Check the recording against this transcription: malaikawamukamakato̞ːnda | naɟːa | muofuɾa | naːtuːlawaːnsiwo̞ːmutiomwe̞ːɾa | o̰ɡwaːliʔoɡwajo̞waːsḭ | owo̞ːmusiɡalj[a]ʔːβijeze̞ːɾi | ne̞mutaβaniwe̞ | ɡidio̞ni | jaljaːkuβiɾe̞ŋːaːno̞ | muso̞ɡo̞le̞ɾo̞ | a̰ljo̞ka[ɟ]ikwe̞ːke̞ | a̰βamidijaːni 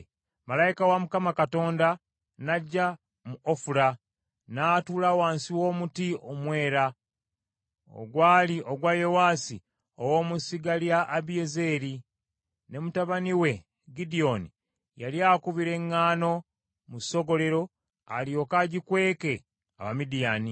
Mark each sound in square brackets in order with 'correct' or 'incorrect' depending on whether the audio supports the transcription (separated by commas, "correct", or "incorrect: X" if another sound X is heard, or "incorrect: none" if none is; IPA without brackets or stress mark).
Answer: correct, correct